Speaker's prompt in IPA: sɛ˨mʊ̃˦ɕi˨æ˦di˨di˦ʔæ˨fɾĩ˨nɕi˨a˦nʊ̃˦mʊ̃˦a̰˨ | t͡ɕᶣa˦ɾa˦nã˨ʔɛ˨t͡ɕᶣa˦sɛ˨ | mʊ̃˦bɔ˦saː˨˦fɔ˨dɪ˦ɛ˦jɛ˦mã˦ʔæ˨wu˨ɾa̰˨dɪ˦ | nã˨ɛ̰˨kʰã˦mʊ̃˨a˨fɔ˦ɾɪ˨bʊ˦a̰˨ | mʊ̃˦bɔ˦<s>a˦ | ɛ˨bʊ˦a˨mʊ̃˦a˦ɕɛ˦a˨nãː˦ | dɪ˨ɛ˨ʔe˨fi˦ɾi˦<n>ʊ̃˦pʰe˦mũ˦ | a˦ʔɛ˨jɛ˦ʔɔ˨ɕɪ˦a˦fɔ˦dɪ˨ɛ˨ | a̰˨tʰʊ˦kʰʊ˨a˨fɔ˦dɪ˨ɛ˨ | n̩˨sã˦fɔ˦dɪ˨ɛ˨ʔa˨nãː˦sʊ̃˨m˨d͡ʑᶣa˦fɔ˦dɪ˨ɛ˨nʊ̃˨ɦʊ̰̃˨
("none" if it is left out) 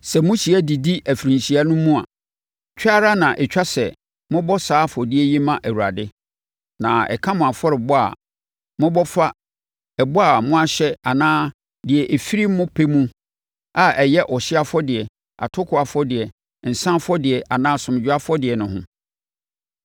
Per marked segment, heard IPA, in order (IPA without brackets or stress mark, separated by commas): f, m